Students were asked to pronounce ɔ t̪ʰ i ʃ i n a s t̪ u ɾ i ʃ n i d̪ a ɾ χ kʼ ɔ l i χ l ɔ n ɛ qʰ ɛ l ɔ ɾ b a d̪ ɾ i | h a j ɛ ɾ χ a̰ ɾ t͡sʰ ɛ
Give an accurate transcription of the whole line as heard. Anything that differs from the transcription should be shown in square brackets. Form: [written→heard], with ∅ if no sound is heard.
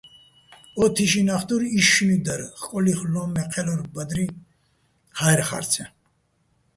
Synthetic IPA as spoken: ɔ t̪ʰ i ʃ i n a [s→χ] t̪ u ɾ i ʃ n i d̪ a ɾ χ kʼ ɔ l i χ l ɔ [n→m] ɛ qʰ ɛ l ɔ ɾ b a d̪ ɾ i | h a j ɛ ɾ χ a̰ ɾ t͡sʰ ɛ